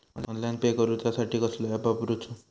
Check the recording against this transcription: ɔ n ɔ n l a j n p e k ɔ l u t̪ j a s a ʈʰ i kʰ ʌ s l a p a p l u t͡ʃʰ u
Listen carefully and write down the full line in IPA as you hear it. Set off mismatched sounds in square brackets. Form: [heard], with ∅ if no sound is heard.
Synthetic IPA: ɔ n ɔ n l a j n p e k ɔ [ɾ] u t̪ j a s a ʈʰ i [k] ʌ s l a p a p [ɾ] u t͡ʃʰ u